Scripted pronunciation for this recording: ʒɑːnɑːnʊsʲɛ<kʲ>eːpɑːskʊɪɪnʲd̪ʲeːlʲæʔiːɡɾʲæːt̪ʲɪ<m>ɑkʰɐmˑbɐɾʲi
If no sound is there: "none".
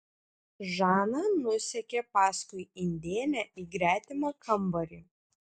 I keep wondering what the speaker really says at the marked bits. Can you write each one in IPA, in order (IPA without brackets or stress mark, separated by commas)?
kʲ, m